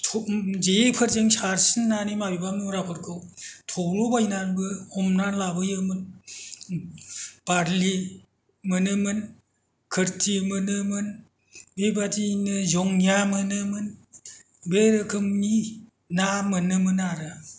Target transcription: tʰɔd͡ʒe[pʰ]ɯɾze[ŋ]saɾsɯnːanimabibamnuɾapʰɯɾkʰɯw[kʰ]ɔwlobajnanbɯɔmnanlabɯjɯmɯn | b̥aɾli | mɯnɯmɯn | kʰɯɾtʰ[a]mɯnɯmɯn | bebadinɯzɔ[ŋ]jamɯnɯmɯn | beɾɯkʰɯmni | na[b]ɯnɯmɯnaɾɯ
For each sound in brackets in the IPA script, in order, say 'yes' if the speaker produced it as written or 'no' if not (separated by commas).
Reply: yes, yes, no, no, yes, no